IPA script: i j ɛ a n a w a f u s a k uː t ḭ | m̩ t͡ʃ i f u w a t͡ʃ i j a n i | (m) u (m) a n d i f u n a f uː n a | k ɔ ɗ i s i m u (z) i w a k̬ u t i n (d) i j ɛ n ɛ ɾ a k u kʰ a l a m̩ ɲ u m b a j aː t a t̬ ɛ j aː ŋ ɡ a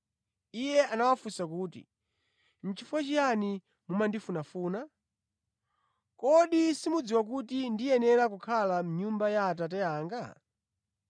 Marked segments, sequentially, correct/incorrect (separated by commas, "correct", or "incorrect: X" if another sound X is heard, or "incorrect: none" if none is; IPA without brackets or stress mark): correct, correct, incorrect: d͡z, correct